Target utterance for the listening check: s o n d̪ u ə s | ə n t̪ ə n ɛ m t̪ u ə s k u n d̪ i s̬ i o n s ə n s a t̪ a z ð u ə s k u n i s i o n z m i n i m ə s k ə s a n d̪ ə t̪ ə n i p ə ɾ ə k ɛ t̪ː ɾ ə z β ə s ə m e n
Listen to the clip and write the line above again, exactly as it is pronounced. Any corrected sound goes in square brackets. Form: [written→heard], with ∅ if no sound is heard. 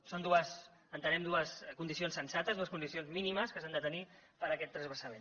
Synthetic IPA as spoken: s o n d̪ u ə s | ə n t̪ ə n ɛ m [t̪→d̪] u ə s k u n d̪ i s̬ i o n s ə n s a t̪ [a→ə] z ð u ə s k u n i s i o n z m i n i m ə s k ə s a n d̪ ə t̪ ə n i p ə ɾ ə k ɛ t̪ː ɾ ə z β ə s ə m e n